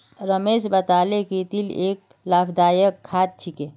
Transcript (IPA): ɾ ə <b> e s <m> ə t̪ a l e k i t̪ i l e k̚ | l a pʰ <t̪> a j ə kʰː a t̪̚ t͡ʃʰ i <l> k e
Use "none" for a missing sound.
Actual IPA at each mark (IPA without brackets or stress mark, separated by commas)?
m, b, d̪, none